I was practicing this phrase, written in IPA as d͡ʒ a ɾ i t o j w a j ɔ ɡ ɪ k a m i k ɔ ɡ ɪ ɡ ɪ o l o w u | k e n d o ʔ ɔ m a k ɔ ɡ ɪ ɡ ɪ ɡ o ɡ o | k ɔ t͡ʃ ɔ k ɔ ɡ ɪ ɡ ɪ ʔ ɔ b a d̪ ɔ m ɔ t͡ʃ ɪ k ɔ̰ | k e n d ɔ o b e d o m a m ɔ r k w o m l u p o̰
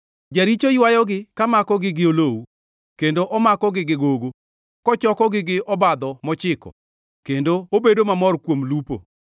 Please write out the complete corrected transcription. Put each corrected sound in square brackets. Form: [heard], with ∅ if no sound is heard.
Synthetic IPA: d͡ʒ a ɾ i [t͡ʃ] o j w a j ɔ ɡ ɪ k a m [a] k ɔ ɡ ɪ ɡ ɪ o l o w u | k e n d o ʔ ɔ m a k ɔ ɡ ɪ ɡ ɪ ɡ o ɡ o | k ɔ t͡ʃ ɔ k ɔ ɡ ɪ ɡ ɪ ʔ ɔ b a d̪ ɔ m ɔ t͡ʃ ɪ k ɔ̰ | k e n d [o] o b e d o m a m ɔ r k w o m l u p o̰